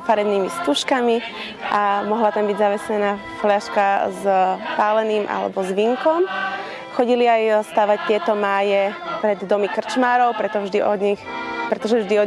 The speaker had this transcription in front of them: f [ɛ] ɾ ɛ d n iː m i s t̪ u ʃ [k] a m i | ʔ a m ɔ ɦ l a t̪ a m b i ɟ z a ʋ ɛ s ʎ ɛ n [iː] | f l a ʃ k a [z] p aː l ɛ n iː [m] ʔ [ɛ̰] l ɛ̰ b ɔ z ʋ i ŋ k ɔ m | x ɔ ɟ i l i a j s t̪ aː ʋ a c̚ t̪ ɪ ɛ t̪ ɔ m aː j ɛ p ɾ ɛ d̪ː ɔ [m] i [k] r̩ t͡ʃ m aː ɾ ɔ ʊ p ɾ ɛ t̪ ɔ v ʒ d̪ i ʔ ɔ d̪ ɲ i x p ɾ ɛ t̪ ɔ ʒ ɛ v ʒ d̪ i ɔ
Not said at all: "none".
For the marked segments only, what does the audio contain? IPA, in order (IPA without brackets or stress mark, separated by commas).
a, k, aː, z, m, a̰, m, k